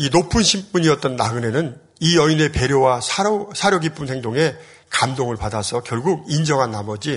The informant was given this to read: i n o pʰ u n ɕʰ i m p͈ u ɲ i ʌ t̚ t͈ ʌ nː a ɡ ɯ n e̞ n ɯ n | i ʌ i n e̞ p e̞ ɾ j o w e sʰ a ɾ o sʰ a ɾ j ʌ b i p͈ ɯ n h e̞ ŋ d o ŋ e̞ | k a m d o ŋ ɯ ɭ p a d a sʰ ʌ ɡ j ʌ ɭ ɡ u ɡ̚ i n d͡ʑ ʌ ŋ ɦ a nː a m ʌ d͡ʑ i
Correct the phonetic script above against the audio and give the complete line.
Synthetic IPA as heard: i n o pʰ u n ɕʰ i m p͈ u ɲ i ʌ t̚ t͈ ʌ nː a ɡ ɯ n e̞ n ɯ n | i ʌ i n e̞ p e̞ ɾ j o w a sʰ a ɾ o sʰ a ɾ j ʌ ɡ i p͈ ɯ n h e̞ ŋ d o ŋ e̞ | k a m d o ŋ ɯ ɭ p a d a sʰ ʌ k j ʌ ɭ ɡ u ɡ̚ i n d͡ʑ ʌ ŋ ɦ a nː a m ʌ d͡ʑ i